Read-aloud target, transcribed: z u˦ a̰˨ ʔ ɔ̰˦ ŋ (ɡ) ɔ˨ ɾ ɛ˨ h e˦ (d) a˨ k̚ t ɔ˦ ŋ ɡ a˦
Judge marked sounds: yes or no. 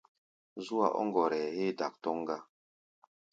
yes, yes

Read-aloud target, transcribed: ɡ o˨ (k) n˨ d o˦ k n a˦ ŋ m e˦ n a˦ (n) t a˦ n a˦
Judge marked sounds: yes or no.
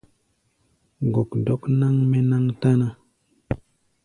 yes, no

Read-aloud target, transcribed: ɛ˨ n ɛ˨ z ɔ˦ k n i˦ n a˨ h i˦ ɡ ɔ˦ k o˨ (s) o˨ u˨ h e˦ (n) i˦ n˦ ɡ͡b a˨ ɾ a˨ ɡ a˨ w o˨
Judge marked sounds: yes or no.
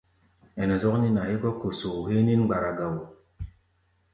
yes, yes

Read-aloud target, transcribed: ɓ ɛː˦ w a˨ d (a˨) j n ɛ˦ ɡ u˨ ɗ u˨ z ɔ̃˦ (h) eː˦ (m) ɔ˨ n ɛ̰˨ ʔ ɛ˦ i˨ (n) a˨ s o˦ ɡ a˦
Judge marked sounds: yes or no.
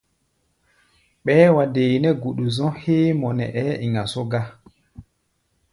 no, yes, yes, no

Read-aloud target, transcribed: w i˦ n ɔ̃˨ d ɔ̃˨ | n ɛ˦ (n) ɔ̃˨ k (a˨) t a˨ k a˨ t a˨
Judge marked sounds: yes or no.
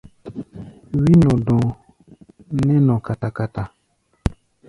yes, yes

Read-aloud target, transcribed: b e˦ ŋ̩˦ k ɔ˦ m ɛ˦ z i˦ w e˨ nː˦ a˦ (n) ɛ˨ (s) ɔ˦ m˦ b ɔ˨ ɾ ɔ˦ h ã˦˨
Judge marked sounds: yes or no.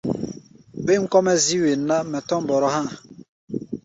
no, no

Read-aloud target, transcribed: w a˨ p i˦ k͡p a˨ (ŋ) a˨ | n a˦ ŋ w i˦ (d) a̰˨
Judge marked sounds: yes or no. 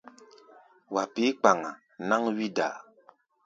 yes, yes

